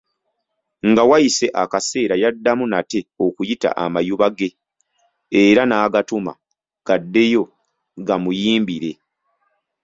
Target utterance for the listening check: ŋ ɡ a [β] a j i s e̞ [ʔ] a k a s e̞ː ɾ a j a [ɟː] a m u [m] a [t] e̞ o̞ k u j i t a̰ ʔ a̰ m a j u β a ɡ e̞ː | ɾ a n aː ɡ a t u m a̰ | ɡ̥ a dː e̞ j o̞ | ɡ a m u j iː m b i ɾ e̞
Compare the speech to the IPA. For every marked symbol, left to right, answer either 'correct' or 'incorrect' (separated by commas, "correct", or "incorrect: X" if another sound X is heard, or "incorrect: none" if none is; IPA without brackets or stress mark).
incorrect: w, correct, incorrect: dː, incorrect: n, correct